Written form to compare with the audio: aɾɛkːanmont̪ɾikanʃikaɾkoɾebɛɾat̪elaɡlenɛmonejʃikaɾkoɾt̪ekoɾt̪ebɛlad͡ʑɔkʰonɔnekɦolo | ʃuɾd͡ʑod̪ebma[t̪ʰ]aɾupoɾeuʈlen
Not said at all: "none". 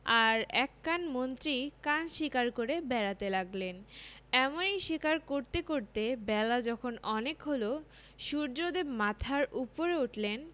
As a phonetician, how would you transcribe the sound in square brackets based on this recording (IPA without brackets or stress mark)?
t̪ʰ